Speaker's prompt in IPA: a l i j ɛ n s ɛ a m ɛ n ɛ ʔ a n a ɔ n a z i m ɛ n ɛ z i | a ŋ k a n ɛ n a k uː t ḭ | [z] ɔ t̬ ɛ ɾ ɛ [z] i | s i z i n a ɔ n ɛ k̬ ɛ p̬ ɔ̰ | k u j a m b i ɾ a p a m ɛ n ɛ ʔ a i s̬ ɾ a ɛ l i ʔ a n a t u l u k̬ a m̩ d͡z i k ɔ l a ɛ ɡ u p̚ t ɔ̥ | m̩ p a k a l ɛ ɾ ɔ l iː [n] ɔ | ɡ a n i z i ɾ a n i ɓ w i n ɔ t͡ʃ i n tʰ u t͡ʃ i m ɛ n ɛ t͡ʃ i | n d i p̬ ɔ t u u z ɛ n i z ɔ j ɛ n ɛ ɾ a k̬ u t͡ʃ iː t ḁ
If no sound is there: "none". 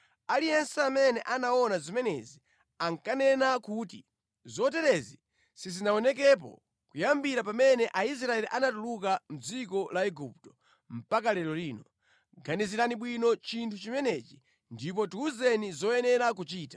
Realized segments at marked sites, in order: z, z, n

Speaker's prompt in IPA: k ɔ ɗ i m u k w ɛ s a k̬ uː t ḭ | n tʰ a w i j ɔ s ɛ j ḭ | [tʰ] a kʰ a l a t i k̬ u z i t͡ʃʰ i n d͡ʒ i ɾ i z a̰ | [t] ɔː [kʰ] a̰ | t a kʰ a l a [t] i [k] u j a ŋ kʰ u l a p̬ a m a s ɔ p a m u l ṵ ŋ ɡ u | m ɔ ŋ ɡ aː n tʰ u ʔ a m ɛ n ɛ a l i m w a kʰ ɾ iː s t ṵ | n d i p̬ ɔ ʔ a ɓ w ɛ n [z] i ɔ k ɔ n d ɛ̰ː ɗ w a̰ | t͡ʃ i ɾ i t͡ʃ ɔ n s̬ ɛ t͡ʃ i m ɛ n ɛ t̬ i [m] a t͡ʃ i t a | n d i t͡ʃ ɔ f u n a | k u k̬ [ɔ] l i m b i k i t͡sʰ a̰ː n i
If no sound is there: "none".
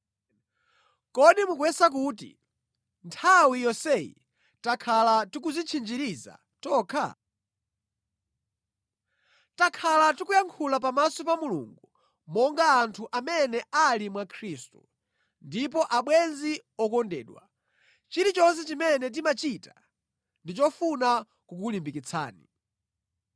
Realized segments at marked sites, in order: t, t, kʰ, t, k, z, m, u

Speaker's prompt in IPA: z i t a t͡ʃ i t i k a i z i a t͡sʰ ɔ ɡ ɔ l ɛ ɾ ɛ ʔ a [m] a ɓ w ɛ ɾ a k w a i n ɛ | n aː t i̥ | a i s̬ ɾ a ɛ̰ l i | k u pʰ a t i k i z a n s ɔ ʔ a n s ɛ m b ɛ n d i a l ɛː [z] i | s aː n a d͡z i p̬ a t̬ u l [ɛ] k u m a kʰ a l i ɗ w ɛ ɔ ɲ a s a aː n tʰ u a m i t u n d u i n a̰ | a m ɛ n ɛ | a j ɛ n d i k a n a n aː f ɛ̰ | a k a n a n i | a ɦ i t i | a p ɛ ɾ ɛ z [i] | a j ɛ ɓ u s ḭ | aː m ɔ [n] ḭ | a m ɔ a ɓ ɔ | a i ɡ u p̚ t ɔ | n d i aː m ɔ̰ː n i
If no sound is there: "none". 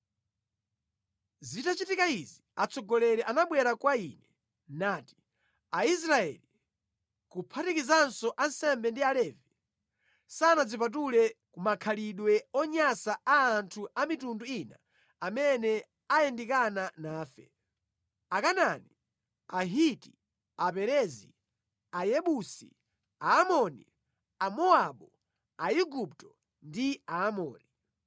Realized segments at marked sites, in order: n, v, ɛ, i, n

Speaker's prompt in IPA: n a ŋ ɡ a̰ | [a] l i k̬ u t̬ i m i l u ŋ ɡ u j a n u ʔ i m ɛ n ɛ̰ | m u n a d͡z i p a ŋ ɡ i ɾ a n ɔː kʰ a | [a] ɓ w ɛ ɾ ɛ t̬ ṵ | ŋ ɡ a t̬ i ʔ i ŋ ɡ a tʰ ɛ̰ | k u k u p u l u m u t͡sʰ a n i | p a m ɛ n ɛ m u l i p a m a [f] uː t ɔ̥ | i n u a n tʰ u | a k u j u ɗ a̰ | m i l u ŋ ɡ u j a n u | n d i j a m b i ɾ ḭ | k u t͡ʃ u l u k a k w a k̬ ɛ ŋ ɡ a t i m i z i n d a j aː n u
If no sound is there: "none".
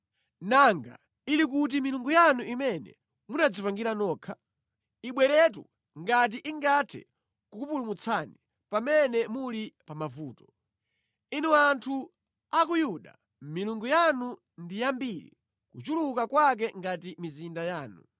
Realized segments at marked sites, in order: i, i, v

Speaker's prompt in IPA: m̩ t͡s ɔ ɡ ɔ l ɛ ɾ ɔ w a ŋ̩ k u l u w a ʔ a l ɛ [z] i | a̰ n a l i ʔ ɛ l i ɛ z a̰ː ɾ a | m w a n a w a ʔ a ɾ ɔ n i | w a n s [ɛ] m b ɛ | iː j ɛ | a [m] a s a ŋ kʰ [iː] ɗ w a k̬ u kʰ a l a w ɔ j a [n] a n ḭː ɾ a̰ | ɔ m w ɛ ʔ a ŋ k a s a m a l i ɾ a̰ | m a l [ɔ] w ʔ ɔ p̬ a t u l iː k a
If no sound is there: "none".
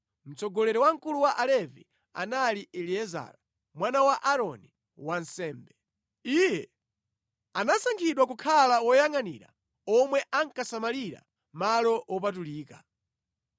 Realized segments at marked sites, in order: v, ɛː, n, i, ŋ, ɔ

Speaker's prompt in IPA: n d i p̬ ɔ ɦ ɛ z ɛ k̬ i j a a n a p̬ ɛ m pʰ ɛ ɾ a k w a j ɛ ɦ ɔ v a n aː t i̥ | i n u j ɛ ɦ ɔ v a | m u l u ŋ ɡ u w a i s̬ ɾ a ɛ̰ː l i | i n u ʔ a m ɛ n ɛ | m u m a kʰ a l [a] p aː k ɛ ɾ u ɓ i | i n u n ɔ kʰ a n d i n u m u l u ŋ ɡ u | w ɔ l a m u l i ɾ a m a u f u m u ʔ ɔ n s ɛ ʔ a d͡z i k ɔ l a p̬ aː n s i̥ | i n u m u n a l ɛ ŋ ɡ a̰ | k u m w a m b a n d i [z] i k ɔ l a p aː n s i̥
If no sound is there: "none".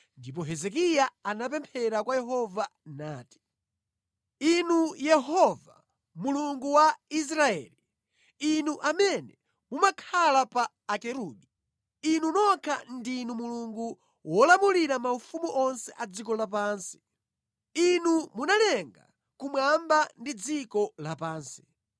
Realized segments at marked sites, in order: a, d͡z

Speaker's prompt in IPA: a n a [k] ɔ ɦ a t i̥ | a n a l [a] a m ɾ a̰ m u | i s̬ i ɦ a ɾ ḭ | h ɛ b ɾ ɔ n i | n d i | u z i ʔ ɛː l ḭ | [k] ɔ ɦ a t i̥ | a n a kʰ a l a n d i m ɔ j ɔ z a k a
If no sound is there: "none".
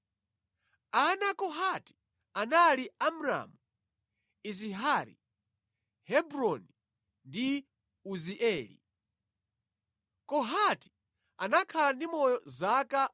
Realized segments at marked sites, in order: k, i, k

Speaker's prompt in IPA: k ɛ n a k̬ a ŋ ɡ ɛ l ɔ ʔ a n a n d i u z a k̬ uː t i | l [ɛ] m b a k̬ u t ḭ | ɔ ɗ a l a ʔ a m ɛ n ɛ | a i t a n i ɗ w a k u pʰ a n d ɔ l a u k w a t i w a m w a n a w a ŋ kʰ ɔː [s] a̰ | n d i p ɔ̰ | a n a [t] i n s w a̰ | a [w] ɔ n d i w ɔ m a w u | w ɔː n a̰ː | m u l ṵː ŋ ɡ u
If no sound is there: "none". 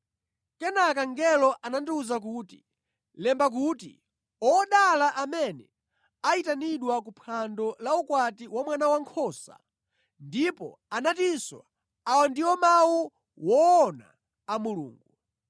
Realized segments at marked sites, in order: ɛ, s, t, w

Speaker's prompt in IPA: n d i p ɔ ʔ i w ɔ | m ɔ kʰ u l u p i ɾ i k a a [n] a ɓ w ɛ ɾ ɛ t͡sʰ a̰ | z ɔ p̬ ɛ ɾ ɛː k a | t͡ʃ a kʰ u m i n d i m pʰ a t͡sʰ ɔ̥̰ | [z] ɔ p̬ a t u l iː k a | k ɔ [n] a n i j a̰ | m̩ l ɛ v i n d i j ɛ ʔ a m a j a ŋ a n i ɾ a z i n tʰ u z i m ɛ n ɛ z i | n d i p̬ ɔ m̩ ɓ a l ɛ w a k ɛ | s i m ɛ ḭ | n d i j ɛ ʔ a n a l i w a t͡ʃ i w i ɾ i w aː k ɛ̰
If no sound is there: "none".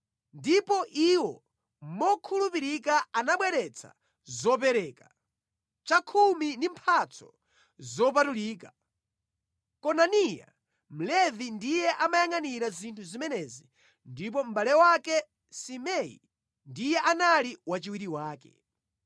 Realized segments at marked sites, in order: n, z, n

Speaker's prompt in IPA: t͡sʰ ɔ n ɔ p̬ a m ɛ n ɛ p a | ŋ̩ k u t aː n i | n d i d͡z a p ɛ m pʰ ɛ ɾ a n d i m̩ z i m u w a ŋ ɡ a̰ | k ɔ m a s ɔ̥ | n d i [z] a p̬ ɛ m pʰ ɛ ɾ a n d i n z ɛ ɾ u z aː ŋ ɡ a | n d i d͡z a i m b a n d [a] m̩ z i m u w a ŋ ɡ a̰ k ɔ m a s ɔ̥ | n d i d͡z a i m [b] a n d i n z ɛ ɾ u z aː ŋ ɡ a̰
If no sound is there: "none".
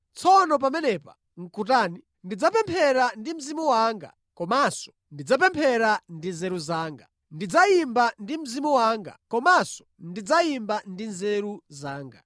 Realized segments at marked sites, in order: d͡z, i, b

